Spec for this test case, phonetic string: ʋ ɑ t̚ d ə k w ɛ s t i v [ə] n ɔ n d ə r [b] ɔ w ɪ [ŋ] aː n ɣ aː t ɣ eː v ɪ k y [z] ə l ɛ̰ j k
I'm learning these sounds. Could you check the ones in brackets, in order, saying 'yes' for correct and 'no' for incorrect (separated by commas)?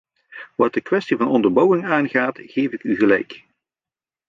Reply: no, yes, yes, no